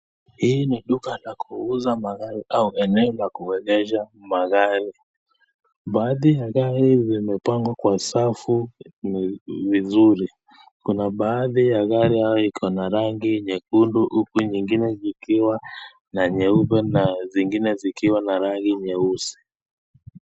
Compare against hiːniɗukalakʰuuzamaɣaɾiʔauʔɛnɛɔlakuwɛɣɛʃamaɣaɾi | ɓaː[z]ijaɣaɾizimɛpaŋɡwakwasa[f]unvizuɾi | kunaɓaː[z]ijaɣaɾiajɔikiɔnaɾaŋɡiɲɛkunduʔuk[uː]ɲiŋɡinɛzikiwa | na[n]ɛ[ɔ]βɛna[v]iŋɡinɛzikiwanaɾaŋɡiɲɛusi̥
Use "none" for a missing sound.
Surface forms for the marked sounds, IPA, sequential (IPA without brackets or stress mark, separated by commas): ð, f, ð, u, ɲ, u, z